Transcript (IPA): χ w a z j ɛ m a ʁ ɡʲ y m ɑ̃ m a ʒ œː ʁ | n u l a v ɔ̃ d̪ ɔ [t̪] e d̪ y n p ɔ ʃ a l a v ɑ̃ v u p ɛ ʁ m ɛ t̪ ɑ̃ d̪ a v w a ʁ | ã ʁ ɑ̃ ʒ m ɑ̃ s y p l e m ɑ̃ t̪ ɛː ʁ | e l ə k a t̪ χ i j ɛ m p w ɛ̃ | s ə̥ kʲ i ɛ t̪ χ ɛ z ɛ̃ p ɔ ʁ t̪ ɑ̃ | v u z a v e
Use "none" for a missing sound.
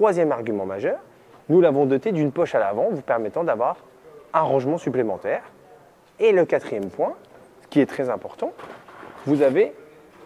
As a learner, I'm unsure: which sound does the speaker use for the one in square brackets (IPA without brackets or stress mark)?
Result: t̪